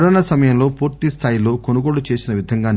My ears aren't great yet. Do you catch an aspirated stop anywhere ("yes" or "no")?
yes